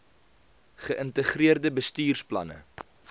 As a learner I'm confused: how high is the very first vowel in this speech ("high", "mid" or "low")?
mid